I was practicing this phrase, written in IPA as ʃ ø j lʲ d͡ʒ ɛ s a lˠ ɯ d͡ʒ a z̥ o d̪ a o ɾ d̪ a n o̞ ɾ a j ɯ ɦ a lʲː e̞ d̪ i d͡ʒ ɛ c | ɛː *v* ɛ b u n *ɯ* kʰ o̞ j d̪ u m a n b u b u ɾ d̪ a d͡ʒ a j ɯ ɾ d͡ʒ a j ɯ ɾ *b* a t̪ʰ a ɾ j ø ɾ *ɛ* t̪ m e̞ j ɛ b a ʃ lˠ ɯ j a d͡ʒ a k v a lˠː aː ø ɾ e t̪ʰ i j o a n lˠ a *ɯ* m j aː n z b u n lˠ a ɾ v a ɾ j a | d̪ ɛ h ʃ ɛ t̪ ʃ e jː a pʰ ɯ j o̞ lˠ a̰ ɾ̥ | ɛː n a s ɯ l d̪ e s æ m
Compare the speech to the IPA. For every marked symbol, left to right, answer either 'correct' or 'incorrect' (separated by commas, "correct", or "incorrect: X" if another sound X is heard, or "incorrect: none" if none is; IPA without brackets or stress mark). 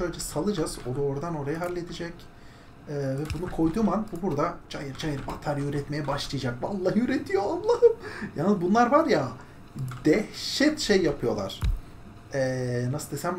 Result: correct, incorrect: u, correct, correct, correct